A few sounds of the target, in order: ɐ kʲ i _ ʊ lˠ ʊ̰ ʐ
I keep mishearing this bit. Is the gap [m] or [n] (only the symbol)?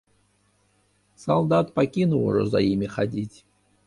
n